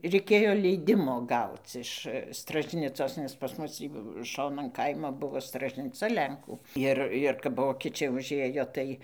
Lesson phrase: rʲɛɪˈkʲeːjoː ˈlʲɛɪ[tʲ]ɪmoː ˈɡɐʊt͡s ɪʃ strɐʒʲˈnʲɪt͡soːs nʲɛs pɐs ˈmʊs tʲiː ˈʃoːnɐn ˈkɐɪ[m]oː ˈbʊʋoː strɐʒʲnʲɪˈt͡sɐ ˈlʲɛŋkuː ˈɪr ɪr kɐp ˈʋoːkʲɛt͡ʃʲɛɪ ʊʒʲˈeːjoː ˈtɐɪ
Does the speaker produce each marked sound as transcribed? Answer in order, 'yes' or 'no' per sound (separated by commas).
no, yes